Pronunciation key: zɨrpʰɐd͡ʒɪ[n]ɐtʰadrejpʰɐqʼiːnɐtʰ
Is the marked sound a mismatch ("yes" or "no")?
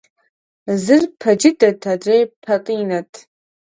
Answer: yes